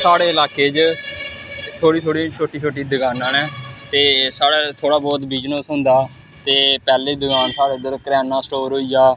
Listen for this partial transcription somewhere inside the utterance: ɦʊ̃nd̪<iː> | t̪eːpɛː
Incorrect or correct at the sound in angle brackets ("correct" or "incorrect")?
incorrect